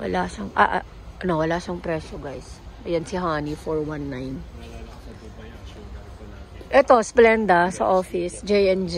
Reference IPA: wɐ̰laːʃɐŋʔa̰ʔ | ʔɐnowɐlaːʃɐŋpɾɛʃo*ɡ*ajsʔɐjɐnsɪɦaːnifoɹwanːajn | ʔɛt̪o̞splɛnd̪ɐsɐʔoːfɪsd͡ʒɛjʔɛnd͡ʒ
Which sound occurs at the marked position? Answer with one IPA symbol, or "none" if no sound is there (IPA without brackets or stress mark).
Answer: ɡ